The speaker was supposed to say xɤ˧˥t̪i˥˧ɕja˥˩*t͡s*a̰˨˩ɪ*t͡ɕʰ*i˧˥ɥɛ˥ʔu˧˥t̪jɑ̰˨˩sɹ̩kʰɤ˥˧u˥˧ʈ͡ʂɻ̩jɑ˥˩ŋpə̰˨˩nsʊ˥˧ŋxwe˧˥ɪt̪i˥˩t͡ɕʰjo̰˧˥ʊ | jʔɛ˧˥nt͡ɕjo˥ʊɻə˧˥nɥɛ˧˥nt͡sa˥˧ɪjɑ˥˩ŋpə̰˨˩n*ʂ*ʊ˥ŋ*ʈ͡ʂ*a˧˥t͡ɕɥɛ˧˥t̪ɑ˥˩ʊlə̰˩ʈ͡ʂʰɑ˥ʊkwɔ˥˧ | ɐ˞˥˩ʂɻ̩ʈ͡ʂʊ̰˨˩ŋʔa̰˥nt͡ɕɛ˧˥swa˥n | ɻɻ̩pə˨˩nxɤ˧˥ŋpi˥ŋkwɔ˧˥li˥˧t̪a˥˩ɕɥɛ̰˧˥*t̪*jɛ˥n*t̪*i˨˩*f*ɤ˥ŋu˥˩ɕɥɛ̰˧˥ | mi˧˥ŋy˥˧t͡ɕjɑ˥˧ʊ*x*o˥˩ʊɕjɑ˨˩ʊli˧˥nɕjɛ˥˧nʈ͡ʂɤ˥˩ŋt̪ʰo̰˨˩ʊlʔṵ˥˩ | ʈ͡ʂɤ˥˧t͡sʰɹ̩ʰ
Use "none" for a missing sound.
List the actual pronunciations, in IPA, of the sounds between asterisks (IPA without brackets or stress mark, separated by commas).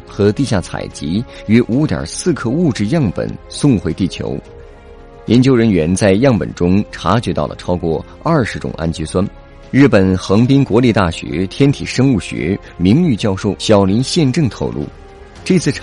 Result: t͡sʰ, t͡ɕ, ʈ͡ʂ, ʈ͡ʂʰ, t̪ʰ, t̪ʰ, ʂ, ʂ